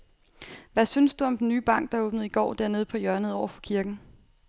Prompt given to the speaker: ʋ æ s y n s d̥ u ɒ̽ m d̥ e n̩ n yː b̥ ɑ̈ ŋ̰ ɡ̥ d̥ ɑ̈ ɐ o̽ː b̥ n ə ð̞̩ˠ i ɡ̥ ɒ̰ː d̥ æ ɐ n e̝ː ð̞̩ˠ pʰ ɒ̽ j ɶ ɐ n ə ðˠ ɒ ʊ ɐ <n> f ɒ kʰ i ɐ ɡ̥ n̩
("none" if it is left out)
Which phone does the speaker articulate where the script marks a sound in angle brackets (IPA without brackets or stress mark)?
none